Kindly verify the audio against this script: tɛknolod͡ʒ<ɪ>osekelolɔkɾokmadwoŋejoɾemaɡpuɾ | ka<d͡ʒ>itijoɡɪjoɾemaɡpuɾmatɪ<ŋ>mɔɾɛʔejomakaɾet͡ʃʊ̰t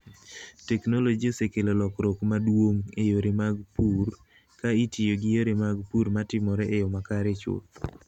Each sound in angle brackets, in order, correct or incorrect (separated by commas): incorrect, incorrect, incorrect